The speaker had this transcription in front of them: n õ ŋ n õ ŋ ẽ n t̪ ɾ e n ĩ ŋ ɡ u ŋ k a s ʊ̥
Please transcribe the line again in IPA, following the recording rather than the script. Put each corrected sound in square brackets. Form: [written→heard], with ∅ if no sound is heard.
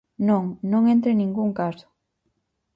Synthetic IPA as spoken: n õ ŋ n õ ŋ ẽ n t̪ ɾ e n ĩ ŋ ɡ u ŋ k a s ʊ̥